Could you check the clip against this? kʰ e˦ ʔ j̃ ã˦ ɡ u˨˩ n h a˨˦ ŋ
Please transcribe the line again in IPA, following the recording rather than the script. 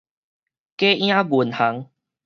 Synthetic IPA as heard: k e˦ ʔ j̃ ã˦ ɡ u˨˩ n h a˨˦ ŋ